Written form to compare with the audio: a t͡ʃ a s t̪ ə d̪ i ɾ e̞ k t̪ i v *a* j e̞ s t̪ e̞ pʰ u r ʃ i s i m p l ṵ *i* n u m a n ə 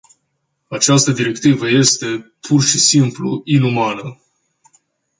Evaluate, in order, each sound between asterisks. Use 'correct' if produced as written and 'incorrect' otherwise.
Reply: incorrect: ə, correct

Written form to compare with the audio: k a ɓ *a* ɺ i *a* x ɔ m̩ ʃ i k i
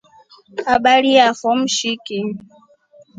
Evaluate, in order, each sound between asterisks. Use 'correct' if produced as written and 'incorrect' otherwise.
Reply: correct, correct

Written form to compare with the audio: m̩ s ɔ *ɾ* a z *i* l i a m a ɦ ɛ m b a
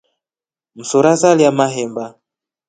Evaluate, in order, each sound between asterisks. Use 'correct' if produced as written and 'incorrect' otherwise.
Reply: correct, incorrect: a

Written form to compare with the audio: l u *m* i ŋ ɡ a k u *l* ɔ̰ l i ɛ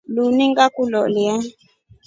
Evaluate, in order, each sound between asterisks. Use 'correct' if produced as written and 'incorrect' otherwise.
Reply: incorrect: n, correct

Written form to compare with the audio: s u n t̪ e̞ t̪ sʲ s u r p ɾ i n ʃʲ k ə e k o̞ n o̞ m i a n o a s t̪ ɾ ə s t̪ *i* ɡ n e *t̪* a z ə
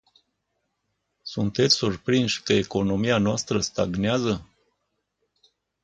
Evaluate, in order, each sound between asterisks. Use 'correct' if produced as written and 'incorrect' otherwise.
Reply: incorrect: a, incorrect: none

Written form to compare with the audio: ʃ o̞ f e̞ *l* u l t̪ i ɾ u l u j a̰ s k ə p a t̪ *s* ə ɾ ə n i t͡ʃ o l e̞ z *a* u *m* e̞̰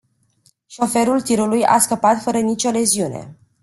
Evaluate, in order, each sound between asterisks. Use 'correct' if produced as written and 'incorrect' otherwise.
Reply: incorrect: ɾ, incorrect: f, incorrect: i, incorrect: n

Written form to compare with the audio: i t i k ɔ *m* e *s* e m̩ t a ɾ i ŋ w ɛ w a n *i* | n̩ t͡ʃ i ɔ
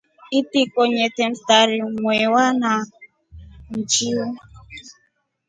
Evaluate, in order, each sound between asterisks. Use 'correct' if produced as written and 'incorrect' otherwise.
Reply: incorrect: ɲ, incorrect: t, incorrect: a

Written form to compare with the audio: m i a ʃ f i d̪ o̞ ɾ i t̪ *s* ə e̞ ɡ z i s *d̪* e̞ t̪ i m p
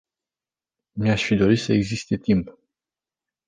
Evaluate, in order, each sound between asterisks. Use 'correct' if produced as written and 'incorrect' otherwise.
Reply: correct, incorrect: t̪

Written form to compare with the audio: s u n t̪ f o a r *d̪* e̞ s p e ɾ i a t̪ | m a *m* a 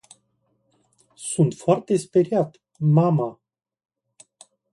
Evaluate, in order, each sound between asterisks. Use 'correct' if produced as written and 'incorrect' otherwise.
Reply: incorrect: t̪, correct

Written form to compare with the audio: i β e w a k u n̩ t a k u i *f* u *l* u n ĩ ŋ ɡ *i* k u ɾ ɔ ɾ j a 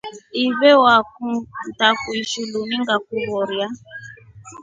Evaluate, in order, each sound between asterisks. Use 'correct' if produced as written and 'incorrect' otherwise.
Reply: incorrect: ʃ, correct, incorrect: a

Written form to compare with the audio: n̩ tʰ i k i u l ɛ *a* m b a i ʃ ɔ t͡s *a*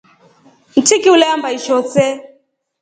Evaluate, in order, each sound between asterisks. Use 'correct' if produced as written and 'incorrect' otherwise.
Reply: correct, incorrect: ɛ

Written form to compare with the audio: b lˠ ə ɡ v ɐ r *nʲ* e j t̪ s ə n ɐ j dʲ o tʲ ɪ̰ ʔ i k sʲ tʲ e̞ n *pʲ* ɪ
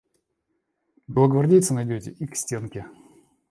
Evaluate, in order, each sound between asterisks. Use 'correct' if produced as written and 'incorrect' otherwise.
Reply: incorrect: dʲ, incorrect: kʲ

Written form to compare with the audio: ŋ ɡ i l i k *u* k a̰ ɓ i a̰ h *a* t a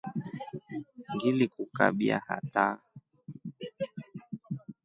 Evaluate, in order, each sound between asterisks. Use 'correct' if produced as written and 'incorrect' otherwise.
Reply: correct, correct

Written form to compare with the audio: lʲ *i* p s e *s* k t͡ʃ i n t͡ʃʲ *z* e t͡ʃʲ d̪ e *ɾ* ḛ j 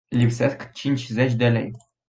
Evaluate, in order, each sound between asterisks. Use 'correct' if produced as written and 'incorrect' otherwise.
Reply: correct, correct, correct, incorrect: l

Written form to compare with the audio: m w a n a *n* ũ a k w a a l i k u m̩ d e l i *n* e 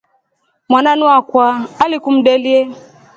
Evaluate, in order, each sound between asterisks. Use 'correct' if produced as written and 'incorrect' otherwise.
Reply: correct, incorrect: none

